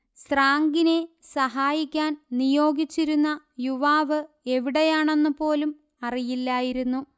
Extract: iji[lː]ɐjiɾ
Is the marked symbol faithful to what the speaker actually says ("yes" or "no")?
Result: yes